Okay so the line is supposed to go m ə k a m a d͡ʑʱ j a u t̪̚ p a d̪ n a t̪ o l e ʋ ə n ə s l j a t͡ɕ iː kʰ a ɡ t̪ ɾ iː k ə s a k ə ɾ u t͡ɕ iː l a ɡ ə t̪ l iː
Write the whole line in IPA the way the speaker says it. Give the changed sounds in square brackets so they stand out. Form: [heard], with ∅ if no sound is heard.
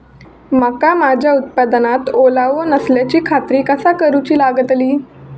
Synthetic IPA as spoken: m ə k a m a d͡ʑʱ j a u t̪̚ p a d̪ n a t̪ o l [a] ʋ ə n ə s l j a t͡ɕ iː kʰ a [∅] t̪ ɾ iː k ə s a k ə ɾ u t͡ɕ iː l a ɡ ə t̪ l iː